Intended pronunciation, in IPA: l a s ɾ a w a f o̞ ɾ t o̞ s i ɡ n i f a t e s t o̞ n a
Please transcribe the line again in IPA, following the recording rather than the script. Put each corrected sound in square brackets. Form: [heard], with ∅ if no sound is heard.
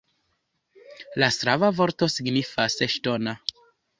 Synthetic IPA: l a s ɾ a [v] a [v] o̞ ɾ t o̞ s i ɡ n i f a [s] e [ʃ] t o̞ n a